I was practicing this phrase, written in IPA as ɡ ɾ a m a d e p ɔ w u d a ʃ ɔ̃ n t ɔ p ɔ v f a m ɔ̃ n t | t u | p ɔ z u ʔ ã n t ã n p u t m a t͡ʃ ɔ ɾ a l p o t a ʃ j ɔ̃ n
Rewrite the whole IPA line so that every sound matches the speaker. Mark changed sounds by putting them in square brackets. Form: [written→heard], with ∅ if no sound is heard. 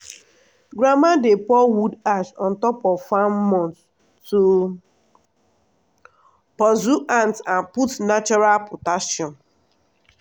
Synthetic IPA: ɡ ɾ a m a d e p ɔ w u d a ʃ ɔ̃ n t ɔ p ɔ v f a m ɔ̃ n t | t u | p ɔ z u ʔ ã n t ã n p u t [m→n] a t͡ʃ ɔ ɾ a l p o t a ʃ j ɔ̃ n